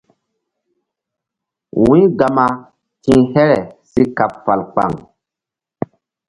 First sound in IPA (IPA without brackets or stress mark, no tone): w